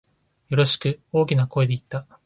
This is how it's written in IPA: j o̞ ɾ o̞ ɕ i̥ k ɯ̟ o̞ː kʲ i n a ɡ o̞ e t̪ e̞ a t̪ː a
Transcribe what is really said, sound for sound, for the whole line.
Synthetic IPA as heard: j o̞ ɾ o̞ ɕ i̥ k ɯ̟ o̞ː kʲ i n a k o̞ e d̪ e̞ i t̪ː a